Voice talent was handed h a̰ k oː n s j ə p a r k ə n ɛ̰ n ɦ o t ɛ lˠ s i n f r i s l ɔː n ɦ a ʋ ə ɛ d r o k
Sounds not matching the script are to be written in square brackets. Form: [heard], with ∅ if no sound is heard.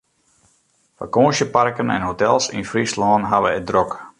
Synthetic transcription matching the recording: [f] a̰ k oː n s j ə p a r k ə n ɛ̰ n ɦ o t ɛ lˠ s i n f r i s l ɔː n ɦ a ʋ ə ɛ d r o k